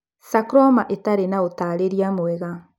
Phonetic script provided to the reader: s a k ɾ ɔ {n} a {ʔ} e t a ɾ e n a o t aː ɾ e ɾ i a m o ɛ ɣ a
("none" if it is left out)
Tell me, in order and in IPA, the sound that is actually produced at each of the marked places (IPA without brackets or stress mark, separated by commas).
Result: m, ʔ